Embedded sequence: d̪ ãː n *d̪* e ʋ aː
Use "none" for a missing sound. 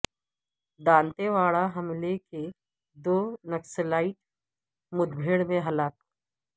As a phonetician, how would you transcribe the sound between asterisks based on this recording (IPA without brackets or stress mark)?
t̪